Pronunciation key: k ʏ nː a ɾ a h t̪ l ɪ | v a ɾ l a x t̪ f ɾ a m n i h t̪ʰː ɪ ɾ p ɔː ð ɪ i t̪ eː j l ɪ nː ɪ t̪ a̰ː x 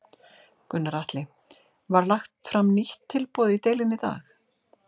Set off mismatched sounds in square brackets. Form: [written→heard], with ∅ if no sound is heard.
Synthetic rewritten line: k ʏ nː a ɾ a h t̪ l ɪ | v a ɾ l a x t̪ f ɾ a m n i h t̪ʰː ɪ [ɾ→l] p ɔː ð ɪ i t̪ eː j l ɪ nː ɪ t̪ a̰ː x